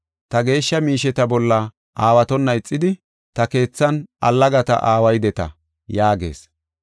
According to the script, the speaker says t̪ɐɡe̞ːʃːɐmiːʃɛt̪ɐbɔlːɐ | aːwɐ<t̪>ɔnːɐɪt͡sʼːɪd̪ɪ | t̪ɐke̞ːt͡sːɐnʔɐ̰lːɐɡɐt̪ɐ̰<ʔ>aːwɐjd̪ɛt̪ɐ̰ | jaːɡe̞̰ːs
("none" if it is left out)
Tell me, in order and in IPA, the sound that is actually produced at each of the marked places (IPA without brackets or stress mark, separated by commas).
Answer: t̪, ʔ